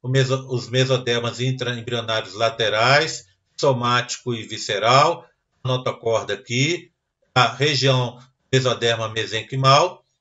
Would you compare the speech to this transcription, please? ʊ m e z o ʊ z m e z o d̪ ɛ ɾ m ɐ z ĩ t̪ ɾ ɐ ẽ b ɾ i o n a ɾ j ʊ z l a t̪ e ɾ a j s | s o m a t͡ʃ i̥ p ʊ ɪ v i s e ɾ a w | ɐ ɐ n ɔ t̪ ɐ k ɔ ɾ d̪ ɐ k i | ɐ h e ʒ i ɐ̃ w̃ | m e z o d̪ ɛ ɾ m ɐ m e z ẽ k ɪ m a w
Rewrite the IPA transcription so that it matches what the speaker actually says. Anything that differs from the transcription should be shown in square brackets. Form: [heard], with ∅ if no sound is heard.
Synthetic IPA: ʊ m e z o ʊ z m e z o d̪ ɛ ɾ m ɐ z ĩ t̪ ɾ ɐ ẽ b ɾ i o n a ɾ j ʊ z l a t̪ e ɾ a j s | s o m a t͡ʃ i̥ [k] ʊ ɪ v i s e ɾ a w | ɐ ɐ n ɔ t̪ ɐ k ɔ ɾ d̪ ɐ k i | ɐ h e ʒ i ɐ̃ w̃ | m e z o d̪ ɛ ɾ m ɐ m e z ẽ k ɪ m a w